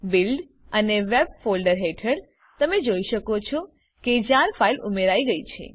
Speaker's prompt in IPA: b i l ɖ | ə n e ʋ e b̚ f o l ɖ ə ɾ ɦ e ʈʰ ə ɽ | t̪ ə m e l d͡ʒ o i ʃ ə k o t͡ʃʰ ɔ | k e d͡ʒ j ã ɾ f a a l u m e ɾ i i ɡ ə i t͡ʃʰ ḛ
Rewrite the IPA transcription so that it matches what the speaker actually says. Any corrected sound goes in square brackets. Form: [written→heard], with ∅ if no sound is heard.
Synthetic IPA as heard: b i l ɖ | ə n e ʋ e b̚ f o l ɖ ə ɾ ɦ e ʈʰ ə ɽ | t̪ ə m e [l→∅] d͡ʒ o i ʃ ə k o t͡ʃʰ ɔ | k e d͡ʒ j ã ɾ f a [a→i] l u m e ɾ [i→a] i ɡ ə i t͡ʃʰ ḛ